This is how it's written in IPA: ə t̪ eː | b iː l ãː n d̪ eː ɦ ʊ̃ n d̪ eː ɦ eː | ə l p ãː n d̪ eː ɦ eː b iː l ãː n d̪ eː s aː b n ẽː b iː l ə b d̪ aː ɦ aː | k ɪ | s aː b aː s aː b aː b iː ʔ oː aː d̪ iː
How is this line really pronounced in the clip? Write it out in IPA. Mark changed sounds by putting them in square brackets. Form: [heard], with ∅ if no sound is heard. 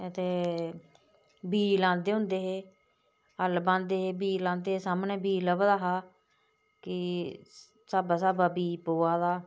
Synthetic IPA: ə t̪ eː | b iː l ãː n d̪ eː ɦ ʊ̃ n d̪ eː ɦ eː | ə l [b] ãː n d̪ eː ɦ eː b iː l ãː n d̪ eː s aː [m] n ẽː b iː l ə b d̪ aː ɦ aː | k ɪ | s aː b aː s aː b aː b iː [p] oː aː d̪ [aː]